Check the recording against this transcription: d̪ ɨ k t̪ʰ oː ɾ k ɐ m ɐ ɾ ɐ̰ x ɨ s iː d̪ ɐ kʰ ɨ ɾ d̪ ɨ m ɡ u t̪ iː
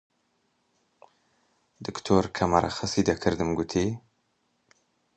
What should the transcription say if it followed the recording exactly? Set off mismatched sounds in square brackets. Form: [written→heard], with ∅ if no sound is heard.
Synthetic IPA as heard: d̪ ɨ k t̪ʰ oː ɾ [k→kʰ] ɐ m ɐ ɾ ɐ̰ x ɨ s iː d̪ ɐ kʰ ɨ ɾ d̪ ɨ m ɡ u [t̪→t̪ʰ] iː